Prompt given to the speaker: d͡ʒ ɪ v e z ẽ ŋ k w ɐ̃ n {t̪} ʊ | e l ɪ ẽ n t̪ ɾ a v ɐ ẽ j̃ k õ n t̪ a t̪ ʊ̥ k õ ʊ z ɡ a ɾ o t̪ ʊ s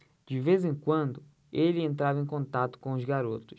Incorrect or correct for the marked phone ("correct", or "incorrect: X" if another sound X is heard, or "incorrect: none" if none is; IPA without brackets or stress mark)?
incorrect: d̪